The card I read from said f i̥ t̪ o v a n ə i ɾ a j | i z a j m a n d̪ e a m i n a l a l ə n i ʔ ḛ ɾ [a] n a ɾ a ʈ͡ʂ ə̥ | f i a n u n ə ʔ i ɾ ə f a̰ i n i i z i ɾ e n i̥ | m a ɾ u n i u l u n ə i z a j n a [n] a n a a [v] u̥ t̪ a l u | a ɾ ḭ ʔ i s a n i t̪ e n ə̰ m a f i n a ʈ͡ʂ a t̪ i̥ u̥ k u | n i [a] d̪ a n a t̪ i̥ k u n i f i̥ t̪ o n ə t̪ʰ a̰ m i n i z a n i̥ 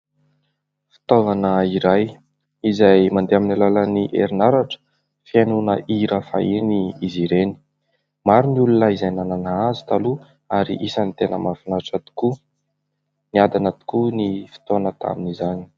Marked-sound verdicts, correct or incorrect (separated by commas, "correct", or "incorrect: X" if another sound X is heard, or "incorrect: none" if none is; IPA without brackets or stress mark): incorrect: i, correct, incorrect: z, correct